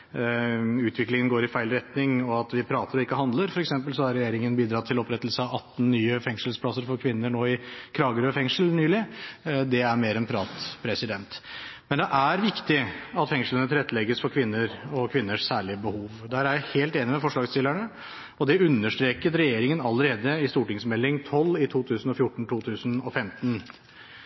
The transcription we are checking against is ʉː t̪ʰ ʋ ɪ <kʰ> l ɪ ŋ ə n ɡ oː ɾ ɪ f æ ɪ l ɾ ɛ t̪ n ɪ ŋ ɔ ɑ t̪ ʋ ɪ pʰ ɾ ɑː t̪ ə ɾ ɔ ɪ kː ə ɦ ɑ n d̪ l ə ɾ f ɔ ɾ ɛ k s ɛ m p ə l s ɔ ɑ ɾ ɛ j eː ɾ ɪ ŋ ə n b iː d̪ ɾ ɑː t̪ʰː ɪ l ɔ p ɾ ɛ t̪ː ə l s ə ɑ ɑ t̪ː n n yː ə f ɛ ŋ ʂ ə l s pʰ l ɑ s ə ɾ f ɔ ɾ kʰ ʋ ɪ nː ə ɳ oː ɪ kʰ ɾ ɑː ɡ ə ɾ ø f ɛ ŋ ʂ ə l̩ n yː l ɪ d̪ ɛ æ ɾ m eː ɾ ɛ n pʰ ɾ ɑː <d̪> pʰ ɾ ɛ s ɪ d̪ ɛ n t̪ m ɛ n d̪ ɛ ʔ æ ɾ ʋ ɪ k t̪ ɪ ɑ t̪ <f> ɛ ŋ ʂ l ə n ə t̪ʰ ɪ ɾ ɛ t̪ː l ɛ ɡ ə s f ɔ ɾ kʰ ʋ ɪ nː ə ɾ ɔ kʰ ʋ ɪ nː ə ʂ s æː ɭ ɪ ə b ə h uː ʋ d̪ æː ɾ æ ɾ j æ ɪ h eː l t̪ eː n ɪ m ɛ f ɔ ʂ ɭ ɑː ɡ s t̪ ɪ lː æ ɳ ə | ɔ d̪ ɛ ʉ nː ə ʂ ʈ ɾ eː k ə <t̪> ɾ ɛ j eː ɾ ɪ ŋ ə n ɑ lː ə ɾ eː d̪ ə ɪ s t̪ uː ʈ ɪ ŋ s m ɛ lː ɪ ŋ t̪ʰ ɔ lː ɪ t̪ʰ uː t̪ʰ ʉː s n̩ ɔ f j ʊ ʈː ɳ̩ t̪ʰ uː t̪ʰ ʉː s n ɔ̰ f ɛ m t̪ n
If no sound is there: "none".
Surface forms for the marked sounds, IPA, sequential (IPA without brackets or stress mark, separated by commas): k, t̪, f, t̪